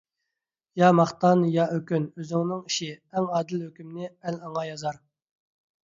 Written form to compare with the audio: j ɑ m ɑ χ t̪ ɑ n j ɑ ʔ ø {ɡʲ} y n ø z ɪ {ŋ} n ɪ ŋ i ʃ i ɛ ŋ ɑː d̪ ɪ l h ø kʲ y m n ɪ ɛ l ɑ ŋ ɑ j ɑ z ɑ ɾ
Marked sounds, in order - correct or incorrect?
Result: incorrect: kʲ, correct

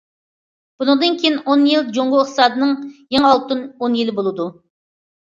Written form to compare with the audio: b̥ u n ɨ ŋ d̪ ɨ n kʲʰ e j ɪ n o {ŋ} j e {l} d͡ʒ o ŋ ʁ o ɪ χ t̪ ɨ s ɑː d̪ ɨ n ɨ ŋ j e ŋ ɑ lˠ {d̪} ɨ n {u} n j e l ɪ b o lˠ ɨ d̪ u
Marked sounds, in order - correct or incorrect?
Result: incorrect: n, correct, incorrect: t̪, incorrect: o

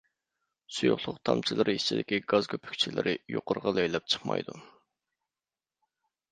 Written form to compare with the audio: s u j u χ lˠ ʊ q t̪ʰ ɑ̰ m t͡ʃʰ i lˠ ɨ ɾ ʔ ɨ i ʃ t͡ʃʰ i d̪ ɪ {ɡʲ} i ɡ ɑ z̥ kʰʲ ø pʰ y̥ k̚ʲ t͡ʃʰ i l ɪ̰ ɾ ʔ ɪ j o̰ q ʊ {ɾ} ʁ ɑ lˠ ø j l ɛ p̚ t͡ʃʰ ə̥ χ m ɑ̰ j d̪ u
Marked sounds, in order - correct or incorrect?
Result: incorrect: kʲ, correct

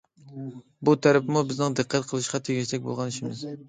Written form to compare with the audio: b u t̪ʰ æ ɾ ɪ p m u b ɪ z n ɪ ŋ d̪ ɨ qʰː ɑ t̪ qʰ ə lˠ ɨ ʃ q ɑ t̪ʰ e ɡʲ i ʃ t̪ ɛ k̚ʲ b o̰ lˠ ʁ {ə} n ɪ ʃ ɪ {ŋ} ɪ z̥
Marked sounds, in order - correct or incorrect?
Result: incorrect: ɑ, incorrect: m

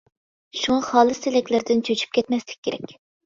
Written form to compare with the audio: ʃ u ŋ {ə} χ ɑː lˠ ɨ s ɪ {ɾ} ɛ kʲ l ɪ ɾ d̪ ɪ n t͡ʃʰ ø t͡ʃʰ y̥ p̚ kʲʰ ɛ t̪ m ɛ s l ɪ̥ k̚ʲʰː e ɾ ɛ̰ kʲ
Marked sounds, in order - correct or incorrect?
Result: incorrect: ɑ, incorrect: l

